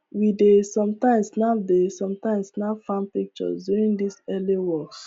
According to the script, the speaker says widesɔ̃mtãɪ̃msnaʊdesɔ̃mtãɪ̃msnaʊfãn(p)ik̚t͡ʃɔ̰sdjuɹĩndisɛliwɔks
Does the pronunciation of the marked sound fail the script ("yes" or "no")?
no